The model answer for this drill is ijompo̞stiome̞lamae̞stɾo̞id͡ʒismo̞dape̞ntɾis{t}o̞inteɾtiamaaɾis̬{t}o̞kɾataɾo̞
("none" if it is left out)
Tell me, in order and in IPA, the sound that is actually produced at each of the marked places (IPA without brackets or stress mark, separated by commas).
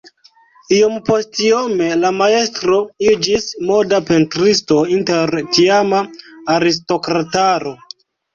t, t